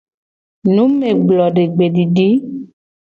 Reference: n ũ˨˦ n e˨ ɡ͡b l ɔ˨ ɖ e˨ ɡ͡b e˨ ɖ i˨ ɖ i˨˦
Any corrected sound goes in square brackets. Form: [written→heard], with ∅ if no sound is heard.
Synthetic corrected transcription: n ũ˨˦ [n→m] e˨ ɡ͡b l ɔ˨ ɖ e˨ ɡ͡b e˨ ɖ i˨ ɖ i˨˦